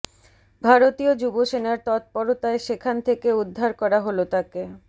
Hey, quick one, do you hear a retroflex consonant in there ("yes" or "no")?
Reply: no